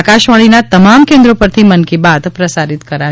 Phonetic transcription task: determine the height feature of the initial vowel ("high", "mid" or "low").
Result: low